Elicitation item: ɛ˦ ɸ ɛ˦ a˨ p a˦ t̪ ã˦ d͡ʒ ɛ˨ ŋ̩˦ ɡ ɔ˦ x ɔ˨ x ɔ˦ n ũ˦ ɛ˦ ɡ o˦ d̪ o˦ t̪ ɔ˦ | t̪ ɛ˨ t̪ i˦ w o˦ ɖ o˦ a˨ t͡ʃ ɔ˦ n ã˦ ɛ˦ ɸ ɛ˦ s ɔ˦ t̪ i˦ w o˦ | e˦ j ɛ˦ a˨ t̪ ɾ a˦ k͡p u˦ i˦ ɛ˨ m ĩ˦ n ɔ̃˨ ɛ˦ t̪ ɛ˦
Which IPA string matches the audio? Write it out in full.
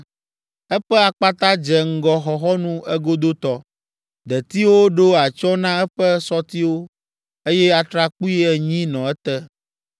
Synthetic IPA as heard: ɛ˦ ɸ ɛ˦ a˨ k͡p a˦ t̪ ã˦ d͡ʒ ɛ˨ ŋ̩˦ ɡ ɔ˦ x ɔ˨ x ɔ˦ n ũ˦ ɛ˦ ɡ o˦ d̪ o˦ t̪ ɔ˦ | d̪ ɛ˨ t̪ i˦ w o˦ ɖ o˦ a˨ t͡ʃ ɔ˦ n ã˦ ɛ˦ ɸ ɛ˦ s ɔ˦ t̪ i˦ w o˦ | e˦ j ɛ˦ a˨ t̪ ɾ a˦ k͡p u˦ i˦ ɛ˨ ɲ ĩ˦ n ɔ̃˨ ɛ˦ t̪ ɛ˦